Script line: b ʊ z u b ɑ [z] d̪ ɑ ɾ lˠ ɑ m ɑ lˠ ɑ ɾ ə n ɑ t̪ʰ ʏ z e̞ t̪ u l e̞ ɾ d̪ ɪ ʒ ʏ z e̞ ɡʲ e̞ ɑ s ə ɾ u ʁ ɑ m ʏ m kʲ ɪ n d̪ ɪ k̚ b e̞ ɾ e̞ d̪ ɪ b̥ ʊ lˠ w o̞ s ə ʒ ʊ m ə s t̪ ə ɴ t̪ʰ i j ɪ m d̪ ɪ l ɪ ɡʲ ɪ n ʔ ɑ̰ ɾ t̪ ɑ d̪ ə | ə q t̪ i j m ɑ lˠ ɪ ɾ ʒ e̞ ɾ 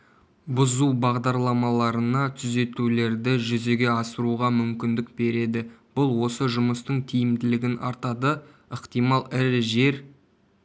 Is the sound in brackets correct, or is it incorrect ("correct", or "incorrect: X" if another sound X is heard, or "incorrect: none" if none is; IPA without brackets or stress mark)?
incorrect: ʁ